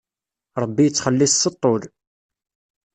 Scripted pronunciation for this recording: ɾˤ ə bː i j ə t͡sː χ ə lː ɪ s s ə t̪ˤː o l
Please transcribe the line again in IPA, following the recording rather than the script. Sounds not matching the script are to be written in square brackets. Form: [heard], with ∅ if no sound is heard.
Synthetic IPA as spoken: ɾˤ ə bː i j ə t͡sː χ ə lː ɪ s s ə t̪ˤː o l